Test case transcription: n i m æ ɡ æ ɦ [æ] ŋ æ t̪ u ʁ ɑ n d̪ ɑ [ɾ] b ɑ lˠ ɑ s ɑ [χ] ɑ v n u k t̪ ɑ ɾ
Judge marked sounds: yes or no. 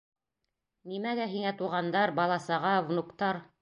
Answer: no, yes, no

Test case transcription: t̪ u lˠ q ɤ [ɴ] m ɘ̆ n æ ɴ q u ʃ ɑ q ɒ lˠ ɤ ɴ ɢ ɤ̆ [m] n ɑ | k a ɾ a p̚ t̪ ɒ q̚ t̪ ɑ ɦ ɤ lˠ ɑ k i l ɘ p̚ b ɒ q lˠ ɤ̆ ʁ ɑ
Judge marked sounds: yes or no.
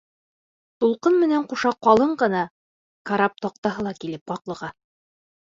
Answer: no, no

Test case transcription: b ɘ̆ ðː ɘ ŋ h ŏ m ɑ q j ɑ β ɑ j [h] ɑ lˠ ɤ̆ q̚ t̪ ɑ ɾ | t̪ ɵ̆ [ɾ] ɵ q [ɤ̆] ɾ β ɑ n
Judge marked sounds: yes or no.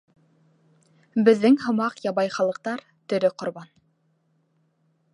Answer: no, yes, no

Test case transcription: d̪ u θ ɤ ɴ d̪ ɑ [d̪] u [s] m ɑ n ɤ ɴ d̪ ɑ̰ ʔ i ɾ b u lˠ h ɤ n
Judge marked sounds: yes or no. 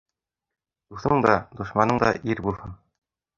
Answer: yes, no

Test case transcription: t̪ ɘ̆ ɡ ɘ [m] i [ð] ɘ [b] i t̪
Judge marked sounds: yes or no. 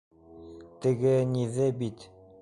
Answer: no, yes, yes

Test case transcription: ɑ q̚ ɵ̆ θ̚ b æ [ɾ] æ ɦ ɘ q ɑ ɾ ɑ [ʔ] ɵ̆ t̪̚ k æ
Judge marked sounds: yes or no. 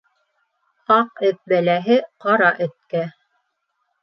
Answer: no, yes

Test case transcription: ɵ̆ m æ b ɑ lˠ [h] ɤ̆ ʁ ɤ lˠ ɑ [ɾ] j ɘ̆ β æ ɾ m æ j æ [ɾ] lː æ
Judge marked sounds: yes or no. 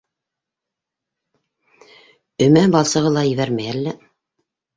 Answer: no, no, no

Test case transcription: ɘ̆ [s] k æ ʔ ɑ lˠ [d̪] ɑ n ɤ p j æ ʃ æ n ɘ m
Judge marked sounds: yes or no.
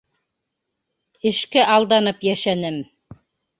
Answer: no, yes

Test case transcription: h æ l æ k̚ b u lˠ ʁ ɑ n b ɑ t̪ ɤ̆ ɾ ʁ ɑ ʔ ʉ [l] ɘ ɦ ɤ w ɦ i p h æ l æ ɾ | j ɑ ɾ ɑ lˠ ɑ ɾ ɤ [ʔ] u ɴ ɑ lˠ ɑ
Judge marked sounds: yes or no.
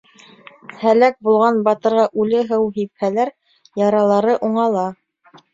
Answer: yes, yes

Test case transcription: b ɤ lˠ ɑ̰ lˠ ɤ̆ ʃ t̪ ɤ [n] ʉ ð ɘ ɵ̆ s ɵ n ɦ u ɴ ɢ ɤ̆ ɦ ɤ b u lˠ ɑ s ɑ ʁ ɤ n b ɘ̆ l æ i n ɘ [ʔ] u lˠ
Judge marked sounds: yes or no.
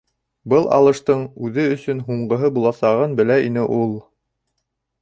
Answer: no, yes

